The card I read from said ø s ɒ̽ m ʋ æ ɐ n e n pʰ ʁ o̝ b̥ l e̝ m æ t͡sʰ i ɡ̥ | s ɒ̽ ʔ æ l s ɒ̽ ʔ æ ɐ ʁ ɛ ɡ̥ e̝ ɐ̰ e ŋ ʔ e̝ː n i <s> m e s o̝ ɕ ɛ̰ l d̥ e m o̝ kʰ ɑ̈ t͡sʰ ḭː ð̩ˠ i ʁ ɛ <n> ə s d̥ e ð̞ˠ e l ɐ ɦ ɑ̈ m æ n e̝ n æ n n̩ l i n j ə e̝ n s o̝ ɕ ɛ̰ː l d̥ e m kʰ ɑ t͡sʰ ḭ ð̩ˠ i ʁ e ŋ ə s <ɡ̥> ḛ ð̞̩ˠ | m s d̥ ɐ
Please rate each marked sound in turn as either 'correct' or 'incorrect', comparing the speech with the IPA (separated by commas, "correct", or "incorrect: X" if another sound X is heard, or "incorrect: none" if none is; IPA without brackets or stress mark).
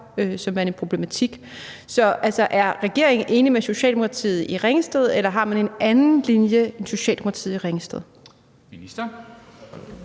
incorrect: none, incorrect: ŋ, incorrect: d̥